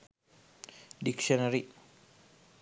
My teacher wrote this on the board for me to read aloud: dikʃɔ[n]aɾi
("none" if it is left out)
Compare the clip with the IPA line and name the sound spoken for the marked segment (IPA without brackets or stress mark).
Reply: n